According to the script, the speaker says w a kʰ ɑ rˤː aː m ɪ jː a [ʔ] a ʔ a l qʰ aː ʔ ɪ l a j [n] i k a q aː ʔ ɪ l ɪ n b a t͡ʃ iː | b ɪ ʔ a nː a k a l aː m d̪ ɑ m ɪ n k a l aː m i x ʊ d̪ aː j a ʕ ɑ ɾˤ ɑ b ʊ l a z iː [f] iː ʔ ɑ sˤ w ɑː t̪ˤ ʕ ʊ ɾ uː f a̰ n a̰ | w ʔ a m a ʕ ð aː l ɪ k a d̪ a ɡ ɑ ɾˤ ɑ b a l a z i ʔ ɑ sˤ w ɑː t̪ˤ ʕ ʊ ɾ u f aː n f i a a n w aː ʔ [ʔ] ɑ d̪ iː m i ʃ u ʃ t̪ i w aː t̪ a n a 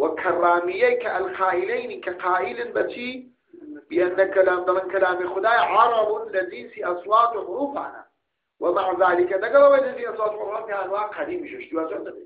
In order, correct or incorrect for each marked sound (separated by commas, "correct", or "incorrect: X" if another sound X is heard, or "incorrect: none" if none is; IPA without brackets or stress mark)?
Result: incorrect: k, correct, incorrect: s, incorrect: q